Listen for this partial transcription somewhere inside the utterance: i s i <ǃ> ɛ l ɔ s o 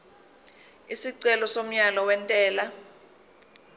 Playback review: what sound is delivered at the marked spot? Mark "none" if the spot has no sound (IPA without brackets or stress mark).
ǀ